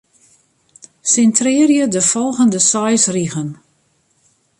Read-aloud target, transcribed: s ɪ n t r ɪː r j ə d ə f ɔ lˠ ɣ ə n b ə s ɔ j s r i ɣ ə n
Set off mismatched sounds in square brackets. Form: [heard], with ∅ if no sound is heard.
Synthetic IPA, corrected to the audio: s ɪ n t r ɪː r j ə d ə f ɔ lˠ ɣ ə n [d] ə s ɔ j s r i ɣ ə n